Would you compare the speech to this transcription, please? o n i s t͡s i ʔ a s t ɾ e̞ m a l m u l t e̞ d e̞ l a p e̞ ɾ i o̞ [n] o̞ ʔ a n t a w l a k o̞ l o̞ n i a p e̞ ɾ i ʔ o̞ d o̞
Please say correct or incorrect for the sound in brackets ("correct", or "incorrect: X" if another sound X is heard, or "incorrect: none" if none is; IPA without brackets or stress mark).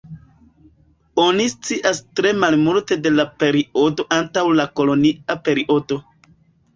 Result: incorrect: d